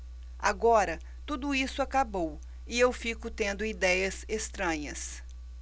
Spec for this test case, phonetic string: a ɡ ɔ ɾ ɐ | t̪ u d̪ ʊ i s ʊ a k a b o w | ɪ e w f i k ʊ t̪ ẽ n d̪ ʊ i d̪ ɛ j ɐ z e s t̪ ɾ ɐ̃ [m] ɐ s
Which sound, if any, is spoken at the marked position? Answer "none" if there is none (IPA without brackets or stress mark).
ɲ